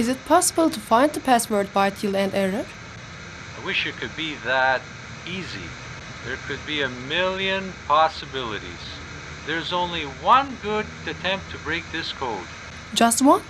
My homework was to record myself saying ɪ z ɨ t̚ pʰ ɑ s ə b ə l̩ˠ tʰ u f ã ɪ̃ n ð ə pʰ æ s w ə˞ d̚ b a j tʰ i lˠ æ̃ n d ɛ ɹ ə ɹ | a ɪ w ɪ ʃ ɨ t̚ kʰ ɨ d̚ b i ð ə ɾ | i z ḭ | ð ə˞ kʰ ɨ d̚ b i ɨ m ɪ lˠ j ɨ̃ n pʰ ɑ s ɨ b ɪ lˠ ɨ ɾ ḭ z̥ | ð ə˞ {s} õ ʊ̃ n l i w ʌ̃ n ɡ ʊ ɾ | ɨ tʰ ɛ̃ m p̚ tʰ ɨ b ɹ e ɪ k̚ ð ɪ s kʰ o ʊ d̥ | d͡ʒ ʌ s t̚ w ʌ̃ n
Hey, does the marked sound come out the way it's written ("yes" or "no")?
no